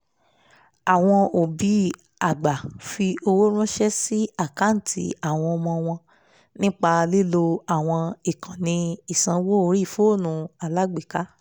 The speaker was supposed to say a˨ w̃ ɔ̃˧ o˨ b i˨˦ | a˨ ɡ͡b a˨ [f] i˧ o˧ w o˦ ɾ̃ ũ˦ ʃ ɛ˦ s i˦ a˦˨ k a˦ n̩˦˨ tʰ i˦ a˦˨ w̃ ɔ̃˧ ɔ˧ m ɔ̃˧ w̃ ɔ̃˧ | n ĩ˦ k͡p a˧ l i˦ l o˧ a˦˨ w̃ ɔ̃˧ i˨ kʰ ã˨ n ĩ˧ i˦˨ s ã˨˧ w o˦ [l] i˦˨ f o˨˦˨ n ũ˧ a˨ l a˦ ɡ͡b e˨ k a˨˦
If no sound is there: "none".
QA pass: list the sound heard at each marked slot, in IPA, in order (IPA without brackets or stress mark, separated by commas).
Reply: f, ɾ